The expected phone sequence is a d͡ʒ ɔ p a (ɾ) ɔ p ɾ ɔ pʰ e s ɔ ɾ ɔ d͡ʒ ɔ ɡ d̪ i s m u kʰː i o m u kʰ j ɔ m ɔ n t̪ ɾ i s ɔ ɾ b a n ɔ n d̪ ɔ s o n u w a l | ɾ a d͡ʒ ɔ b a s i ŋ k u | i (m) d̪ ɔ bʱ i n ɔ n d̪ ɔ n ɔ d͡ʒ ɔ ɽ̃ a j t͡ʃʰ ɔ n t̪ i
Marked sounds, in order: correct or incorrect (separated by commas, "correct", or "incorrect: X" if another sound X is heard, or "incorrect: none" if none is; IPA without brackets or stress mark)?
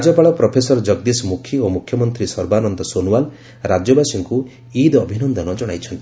incorrect: ɭ, incorrect: none